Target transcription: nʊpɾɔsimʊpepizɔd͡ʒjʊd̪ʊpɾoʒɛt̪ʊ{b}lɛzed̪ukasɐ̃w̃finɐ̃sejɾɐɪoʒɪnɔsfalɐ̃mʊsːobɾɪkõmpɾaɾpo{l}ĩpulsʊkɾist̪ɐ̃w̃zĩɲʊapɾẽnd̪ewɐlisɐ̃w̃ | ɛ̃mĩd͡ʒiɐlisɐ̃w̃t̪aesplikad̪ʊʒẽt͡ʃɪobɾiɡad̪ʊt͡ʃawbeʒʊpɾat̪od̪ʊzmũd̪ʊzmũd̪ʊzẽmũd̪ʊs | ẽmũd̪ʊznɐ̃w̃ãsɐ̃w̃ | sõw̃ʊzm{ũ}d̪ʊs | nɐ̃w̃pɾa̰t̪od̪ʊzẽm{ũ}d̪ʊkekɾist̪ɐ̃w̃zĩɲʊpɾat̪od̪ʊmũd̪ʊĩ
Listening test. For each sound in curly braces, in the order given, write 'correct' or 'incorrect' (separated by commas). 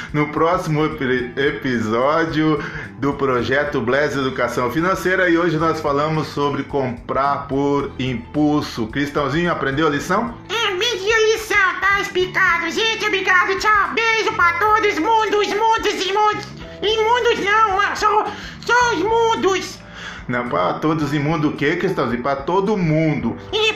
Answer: correct, incorrect, correct, correct